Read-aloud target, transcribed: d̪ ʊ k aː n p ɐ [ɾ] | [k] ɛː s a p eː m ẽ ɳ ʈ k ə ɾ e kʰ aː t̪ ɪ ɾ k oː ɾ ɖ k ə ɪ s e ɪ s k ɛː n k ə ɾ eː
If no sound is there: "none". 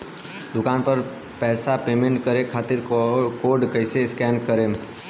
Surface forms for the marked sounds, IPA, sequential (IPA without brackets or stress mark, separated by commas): ɾ, p